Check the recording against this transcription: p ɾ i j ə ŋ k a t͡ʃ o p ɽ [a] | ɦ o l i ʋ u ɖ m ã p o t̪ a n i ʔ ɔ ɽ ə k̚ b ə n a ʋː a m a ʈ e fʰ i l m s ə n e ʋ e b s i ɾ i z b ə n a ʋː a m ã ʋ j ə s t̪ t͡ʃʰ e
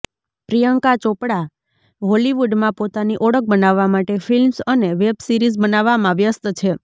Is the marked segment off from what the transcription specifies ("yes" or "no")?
no